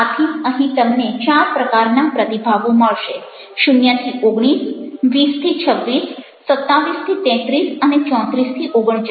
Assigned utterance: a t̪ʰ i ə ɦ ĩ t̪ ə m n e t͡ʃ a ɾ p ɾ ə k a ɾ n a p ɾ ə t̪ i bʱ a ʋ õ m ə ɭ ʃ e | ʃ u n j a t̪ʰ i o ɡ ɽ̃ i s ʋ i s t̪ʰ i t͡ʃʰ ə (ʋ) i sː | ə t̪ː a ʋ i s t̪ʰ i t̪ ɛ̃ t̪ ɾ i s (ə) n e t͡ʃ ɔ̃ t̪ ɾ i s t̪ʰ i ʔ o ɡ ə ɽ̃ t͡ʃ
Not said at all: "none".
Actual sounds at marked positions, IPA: ʋː, ə

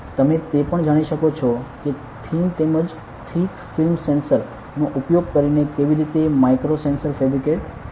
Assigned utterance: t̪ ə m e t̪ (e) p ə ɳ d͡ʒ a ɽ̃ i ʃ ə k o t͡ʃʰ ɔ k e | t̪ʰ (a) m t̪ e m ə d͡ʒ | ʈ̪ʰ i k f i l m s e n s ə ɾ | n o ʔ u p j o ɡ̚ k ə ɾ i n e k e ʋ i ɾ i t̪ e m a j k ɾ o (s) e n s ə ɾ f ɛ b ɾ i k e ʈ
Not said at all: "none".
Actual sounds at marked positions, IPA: e, i, s

